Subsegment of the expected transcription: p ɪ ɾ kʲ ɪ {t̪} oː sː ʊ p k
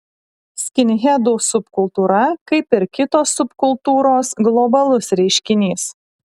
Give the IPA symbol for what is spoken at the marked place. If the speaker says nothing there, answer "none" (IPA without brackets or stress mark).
t̪